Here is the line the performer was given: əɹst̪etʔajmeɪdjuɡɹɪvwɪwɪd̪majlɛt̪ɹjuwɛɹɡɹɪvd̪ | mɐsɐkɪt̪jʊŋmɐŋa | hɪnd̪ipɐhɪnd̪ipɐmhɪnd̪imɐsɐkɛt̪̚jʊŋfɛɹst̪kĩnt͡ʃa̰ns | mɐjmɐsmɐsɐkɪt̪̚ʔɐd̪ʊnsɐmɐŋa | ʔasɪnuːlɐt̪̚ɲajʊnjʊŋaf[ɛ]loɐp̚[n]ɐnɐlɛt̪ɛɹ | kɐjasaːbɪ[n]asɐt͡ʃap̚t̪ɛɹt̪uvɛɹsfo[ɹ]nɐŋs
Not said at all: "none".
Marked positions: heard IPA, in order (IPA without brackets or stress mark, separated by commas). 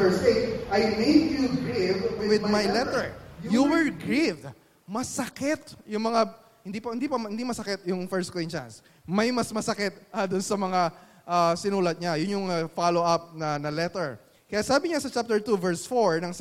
a, n, ɲ, ɹ